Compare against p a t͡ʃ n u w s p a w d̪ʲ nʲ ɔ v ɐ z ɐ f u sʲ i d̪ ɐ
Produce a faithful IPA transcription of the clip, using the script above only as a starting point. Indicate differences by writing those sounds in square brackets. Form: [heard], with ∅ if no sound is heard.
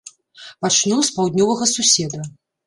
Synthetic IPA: p a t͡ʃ n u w s p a w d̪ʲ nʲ ɔ v ɐ [ɣ] ɐ [s] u sʲ [ɛ] d̪ ɐ